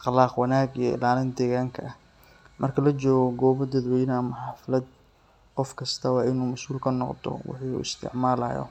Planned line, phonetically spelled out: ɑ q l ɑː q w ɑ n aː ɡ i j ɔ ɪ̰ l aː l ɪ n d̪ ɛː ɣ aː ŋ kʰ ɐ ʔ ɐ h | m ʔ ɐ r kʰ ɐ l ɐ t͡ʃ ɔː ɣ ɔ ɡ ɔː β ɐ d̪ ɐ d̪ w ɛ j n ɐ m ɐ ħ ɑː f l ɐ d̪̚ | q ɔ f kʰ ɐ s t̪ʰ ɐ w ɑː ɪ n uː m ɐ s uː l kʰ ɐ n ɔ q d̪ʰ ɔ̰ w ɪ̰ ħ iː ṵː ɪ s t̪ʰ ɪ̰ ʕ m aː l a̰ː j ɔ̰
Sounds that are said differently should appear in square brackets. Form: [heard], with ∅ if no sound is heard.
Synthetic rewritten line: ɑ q l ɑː q w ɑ n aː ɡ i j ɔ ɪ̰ l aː l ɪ n d̪ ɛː ɣ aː ŋ kʰ ɐ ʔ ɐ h | m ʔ ɐ r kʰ ɐ l ɐ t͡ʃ ɔː ɣ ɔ ɡ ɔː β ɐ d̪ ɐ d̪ w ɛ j n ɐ m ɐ ħ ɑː f l ɐ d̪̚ | q ɔ f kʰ ɐ s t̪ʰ ɐ w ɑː ɪ n uː m ɐ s uː l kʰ ɐ n ɔ q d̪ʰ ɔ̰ w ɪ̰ ħ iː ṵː ɪ s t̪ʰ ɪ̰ ʕ m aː l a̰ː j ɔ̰